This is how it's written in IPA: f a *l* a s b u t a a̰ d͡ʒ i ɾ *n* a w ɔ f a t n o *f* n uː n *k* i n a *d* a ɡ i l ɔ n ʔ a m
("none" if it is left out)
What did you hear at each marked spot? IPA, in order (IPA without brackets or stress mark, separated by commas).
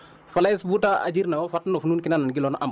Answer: l, n, f, k, n